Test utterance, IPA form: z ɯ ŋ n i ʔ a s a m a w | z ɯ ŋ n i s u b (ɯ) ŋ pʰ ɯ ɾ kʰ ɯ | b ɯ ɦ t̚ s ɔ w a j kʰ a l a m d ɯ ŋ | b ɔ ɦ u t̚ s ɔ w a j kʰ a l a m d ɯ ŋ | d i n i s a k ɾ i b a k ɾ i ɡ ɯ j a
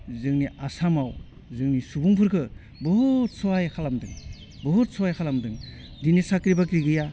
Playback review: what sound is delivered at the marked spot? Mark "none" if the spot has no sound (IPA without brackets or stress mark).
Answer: u